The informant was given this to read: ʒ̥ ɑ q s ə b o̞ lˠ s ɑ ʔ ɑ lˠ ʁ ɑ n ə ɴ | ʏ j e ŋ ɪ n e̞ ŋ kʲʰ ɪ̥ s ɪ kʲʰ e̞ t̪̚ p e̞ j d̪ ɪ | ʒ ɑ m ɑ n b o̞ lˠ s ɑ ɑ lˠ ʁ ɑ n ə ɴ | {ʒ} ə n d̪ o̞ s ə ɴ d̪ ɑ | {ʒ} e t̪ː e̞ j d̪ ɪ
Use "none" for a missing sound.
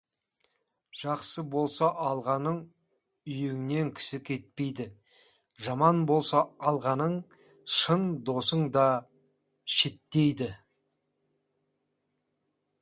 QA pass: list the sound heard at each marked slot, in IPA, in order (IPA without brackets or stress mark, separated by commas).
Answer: ʃ, ʃ